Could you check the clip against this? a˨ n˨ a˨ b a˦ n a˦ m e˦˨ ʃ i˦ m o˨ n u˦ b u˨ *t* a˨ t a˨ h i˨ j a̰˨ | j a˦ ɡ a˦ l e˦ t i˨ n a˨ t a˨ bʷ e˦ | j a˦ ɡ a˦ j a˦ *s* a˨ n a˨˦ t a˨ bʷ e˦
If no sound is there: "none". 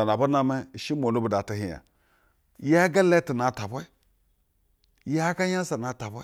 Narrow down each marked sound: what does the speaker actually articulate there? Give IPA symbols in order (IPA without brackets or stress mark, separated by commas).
d, s